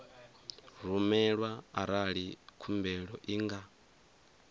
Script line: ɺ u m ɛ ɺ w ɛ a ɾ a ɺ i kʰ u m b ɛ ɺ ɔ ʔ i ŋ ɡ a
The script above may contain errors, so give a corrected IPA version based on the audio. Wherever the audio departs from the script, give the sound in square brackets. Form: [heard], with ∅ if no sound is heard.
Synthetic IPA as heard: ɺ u m ɛ ɺ w [a] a ɾ a ɺ i kʰ u m b ɛ ɺ ɔ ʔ i ŋ ɡ a